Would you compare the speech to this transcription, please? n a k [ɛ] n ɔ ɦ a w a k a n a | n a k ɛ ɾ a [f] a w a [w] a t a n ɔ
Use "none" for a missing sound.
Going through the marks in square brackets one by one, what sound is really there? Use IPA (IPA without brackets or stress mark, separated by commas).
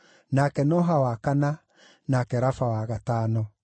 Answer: ɛ, f, ɣ